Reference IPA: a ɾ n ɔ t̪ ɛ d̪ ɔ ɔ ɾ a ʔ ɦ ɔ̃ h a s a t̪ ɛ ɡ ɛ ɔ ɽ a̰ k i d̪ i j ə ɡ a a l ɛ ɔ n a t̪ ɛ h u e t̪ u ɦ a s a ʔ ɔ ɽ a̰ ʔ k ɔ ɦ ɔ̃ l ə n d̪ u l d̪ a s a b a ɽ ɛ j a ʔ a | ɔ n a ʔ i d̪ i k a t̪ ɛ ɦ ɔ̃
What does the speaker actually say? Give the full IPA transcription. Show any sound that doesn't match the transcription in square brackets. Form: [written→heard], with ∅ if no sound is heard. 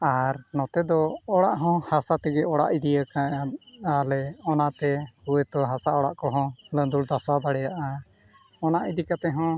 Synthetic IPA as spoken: a ɾ n ɔ t̪ ɛ d̪ ɔ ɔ [ɾ→ɽ] a ʔ ɦ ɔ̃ h a s a t̪ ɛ ɡ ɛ ɔ ɽ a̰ [k→ʔ] i d̪ i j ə [ɡ→k] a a l ɛ ɔ n a t̪ ɛ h u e t̪ [u→ɔ] ɦ a s a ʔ ɔ ɽ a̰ ʔ k ɔ ɦ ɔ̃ l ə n d̪ u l d̪ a s a b a ɽ ɛ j a ʔ a | ɔ n a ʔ i d̪ i k a t̪ ɛ ɦ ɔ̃